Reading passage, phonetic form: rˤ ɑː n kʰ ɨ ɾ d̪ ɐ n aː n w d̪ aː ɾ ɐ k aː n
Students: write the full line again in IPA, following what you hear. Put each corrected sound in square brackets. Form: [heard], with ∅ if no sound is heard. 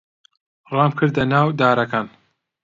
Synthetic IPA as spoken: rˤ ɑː [m] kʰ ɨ ɾ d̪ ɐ n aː [∅] w d̪ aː ɾ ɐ k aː n